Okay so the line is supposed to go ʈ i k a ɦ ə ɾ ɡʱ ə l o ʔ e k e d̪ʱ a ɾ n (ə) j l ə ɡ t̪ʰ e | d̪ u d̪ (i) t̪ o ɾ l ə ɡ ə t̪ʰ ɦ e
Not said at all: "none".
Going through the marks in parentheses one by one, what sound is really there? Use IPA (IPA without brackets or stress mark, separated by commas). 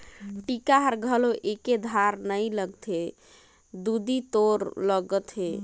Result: ə, i